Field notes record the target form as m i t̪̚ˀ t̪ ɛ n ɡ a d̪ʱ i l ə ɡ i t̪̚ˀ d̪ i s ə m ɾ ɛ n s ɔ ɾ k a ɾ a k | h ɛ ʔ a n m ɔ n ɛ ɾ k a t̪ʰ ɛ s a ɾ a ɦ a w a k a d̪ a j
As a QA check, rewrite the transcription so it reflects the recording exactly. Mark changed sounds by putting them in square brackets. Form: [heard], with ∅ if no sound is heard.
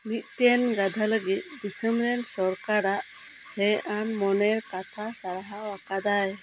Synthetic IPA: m i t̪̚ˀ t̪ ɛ n ɡ a d̪ʱ [a] l ə ɡ i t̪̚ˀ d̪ i s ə m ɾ ɛ n s ɔ ɾ k a ɾ a [ʔ] | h ɛ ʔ a n m ɔ n ɛ ɾ k a t̪ʰ [a] s a ɾ a ɦ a w a k a d̪ a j

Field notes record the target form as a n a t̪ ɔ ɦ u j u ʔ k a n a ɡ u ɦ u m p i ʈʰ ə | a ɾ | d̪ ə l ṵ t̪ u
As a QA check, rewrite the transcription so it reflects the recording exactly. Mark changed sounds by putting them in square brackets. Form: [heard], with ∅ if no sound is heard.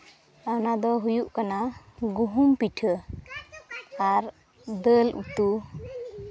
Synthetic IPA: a n a [d̪] ɔ ɦ u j u ʔ k a n a ɡ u ɦ u m p i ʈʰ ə | a ɾ | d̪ ə l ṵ t̪ u

